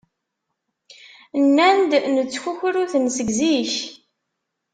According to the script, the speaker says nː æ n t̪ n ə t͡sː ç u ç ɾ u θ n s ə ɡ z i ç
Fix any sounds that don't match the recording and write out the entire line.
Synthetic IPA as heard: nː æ n d̪ n ə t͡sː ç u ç ɾ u θ n s ə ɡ z i ç